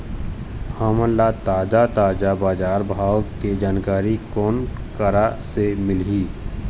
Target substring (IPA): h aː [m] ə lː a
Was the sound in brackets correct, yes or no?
yes